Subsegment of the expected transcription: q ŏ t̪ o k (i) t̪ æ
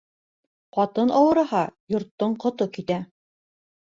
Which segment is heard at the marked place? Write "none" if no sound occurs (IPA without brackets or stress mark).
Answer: i